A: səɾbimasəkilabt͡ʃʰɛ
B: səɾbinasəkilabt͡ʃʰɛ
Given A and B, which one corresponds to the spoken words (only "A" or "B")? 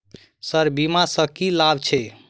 A